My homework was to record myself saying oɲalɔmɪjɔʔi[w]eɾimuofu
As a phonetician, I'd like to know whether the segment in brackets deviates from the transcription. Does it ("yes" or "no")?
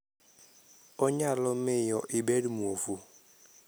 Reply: yes